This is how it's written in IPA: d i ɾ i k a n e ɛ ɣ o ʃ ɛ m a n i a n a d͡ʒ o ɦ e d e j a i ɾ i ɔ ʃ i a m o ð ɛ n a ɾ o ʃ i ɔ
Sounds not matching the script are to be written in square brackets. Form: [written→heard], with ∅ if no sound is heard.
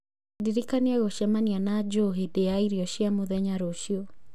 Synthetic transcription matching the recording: d i ɾ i k a n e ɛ ɣ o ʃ ɛ m a n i a n a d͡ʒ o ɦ e d e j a i ɾ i ɔ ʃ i a m o ð ɛ [n→ɲ] a ɾ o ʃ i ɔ